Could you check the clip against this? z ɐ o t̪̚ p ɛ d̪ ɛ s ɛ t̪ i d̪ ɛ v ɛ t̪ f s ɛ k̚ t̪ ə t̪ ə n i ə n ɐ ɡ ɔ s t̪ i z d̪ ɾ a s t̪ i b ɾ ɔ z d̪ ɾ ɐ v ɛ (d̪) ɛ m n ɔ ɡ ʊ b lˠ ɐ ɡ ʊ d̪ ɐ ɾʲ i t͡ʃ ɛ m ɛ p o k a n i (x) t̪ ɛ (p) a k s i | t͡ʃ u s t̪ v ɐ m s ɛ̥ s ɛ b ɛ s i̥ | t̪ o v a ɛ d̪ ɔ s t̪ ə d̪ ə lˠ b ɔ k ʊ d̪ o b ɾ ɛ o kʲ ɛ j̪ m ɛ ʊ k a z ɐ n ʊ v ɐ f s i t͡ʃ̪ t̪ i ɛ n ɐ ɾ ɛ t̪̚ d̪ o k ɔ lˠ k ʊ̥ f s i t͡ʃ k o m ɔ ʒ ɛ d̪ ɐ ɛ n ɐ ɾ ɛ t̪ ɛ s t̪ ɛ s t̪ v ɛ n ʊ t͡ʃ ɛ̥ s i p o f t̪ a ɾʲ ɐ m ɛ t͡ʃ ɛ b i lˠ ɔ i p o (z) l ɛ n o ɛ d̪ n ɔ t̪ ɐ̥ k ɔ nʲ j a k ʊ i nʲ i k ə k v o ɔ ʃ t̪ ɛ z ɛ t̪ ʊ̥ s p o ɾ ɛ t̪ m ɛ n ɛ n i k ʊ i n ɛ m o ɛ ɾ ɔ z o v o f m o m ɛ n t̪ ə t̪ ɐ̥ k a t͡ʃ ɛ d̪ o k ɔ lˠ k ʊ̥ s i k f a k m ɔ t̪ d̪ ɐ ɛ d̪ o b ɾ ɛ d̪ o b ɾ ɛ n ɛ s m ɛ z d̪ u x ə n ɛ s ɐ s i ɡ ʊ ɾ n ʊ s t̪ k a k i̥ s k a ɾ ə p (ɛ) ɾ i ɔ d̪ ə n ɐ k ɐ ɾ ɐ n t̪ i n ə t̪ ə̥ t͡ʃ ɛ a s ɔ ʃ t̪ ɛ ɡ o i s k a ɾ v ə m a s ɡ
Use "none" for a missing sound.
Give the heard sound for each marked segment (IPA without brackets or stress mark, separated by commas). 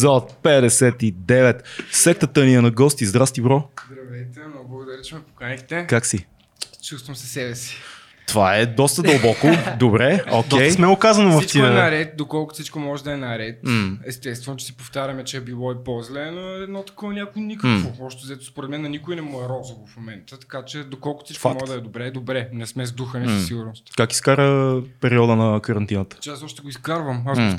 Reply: t̪, x, k, z, ɛ